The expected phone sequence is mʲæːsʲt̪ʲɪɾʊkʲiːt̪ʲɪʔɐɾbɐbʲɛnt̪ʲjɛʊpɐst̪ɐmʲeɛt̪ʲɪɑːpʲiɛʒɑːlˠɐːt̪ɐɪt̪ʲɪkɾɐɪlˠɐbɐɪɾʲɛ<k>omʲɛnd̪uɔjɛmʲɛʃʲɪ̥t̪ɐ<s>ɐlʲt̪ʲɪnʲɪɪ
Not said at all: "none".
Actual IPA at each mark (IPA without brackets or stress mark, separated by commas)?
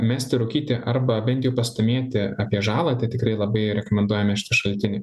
k, ʃ